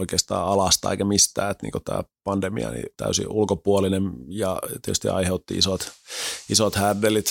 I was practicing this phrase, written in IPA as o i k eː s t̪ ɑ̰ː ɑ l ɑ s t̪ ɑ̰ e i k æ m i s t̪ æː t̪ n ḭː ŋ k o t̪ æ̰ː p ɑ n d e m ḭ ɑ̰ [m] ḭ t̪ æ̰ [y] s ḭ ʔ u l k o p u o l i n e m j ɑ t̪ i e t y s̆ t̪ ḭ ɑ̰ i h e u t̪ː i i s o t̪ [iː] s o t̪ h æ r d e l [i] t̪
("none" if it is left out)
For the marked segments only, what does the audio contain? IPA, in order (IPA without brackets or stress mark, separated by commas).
n, y, i, i